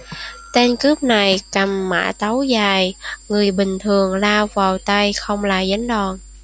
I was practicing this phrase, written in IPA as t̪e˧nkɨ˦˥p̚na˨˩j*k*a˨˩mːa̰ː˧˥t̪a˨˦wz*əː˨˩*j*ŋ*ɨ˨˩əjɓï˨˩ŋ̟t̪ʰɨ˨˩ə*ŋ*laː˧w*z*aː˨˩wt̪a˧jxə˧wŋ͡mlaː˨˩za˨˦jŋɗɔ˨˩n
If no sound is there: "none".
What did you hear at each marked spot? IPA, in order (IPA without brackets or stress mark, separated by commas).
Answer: k, aː˨˩, ŋ, ŋ, v